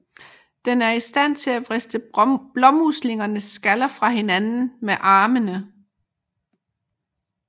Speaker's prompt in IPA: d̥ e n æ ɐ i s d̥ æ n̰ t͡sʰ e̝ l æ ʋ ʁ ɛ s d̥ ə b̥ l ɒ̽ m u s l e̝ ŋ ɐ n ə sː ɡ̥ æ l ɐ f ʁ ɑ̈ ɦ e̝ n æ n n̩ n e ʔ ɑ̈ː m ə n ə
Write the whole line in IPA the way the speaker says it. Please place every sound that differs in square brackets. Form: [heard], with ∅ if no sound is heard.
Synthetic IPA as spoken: d̥ e n æ ɐ i s d̥ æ n̰ t͡sʰ e̝ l æ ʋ ʁ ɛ s d̥ ə b̥ l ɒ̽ m u s l e̝ ŋ ɐ n ə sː ɡ̥ æ l ɐ f ʁ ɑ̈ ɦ e̝ n æ n n̩ [m] e ʔ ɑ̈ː m ə n ə